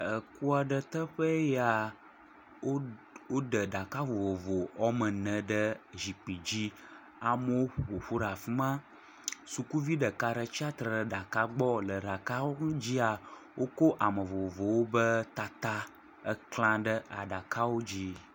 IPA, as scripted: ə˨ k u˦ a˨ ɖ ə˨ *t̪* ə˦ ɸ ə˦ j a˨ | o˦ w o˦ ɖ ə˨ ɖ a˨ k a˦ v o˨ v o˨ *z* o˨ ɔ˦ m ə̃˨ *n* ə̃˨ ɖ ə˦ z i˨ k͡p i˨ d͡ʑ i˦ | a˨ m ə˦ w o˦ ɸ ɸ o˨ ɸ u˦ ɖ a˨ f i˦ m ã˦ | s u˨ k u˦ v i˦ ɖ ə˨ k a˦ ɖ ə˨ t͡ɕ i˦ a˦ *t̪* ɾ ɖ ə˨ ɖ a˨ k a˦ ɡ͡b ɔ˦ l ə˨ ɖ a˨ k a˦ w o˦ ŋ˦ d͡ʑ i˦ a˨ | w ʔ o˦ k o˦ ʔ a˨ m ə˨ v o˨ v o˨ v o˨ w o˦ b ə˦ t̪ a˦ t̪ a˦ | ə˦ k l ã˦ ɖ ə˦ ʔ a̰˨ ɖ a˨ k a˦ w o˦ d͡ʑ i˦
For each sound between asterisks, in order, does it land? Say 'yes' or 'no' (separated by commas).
yes, no, yes, yes